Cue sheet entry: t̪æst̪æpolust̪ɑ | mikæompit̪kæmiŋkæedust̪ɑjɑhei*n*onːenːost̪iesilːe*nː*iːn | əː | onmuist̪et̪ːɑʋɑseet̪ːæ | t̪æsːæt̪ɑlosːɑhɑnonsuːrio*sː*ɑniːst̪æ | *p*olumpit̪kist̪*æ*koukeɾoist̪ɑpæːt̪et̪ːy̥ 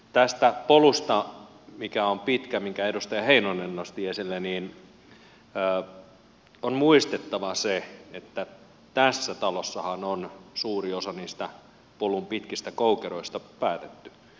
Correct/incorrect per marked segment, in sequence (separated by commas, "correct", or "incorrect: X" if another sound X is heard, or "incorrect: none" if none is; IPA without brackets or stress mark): correct, incorrect: n, incorrect: s, correct, correct